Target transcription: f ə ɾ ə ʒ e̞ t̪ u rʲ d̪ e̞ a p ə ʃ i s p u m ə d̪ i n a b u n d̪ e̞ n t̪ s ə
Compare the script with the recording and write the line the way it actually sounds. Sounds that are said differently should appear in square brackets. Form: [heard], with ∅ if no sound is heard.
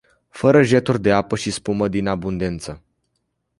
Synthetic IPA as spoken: f ə ɾ ə ʒ e̞ t̪ u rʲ d̪ e̞ a p ə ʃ i s p u m ə d̪ i n a b u n d̪ e̞ n t̪ s ə